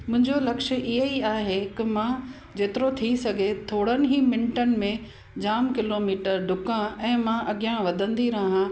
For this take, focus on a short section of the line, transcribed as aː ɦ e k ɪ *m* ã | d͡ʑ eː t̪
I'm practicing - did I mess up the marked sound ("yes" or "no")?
no